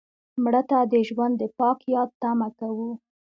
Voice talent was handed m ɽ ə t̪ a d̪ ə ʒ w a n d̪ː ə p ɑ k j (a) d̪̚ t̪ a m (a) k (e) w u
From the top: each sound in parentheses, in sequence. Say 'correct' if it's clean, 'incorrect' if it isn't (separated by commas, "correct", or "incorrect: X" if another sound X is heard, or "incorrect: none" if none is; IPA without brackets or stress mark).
incorrect: ɑ, correct, incorrect: a